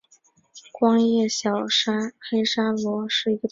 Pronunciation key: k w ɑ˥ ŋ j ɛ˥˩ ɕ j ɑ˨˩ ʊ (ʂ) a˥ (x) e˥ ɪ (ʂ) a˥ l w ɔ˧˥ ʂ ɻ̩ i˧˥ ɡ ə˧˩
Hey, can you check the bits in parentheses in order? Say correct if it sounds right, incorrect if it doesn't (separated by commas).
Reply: correct, correct, correct